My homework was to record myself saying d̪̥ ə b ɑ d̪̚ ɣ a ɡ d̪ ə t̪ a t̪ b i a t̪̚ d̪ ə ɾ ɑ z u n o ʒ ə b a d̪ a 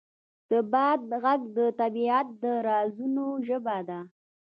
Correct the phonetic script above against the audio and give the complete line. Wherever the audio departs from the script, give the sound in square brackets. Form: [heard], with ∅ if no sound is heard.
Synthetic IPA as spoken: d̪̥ ə b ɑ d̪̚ ɣ a ɡ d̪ ə t̪ a [∅] b i a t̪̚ d̪ ə ɾ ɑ z u n o ʒ ə b a d̪ a